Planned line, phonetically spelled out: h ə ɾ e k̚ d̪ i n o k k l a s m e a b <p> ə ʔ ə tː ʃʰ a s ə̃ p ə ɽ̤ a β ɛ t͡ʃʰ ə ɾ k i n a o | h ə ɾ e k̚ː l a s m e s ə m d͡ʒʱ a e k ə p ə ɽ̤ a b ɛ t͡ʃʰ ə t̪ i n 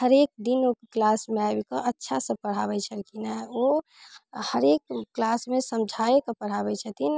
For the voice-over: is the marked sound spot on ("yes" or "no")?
no